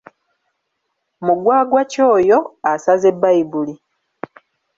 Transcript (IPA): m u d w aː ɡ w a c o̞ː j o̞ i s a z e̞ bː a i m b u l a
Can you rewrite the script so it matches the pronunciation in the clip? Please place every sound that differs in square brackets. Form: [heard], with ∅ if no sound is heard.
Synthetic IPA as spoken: m u [ɡ] w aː ɡ w a c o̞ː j o̞ [a] s a z e̞ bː a i [∅] b u l [i]